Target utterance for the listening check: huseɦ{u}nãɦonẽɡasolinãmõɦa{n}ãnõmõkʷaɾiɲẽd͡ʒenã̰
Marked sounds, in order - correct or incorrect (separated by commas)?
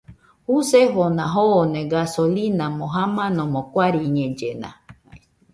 incorrect, incorrect